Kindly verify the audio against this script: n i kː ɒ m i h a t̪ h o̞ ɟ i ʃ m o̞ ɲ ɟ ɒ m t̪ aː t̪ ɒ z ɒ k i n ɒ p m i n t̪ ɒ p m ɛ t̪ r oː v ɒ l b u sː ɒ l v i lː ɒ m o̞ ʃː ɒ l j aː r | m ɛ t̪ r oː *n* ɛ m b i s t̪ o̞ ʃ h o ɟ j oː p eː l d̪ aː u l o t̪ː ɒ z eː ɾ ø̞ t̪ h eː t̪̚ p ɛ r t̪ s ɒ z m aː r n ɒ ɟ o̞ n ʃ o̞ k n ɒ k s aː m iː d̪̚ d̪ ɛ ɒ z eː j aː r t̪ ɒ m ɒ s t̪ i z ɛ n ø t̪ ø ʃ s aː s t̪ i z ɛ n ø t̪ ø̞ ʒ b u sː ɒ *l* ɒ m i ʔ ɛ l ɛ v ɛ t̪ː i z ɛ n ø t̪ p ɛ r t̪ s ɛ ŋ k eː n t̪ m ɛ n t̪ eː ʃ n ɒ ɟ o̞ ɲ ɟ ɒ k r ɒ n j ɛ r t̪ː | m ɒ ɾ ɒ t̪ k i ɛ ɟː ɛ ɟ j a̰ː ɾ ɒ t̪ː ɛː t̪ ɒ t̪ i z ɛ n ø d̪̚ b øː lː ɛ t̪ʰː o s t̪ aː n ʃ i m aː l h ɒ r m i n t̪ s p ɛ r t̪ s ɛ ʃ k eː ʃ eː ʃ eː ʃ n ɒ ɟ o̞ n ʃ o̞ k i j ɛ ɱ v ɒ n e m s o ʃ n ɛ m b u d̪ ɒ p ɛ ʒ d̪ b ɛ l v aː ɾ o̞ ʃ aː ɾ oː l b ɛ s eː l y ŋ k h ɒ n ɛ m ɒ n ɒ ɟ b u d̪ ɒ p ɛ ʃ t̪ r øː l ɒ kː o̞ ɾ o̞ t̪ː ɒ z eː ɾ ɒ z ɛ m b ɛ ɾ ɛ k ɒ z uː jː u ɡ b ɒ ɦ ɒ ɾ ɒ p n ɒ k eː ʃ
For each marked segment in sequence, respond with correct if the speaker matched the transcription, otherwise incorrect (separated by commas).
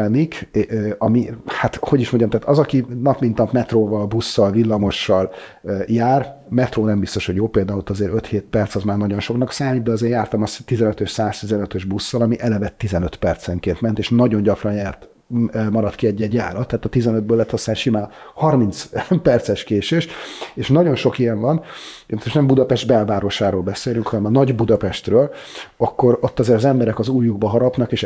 correct, correct